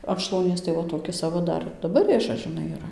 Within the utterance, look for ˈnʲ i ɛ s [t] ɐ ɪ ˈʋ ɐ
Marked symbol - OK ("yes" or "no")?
yes